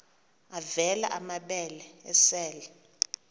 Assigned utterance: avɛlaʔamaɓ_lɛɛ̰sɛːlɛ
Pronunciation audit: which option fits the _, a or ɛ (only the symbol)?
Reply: ɛ